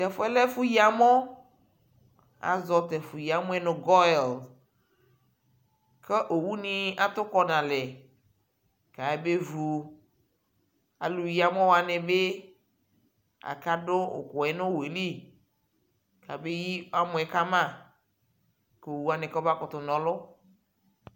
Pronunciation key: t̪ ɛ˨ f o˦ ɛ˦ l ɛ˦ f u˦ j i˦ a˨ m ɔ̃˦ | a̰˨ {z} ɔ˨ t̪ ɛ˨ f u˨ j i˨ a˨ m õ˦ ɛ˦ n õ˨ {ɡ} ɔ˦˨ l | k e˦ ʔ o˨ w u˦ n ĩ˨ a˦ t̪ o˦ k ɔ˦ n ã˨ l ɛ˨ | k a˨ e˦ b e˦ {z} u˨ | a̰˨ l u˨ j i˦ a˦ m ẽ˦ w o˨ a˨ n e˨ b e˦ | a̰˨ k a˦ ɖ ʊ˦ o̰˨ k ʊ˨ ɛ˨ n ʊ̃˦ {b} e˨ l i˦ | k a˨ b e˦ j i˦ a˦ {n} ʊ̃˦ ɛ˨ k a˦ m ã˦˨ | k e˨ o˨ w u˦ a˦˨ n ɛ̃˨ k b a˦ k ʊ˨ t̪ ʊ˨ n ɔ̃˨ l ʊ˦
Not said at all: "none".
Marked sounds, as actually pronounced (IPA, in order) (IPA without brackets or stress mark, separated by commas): z, ɡ, v, w, m